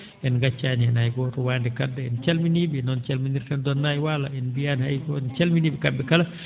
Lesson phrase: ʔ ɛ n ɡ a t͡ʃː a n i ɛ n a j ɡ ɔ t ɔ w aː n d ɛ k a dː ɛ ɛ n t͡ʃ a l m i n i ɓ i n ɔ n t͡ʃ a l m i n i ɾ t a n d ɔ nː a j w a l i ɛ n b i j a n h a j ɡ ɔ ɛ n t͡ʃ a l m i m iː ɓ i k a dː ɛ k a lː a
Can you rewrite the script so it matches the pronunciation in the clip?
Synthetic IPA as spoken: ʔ ɛ n ɡ a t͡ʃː a n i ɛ n a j ɡ ɔ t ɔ w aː n d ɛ k a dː ɛ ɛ n t͡ʃ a l m i n i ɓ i n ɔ n t͡ʃ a l m i n i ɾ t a n d ɔ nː a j w a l a ɛ n b i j a n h a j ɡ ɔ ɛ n t͡ʃ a l m i n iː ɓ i k a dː ɛ k a l a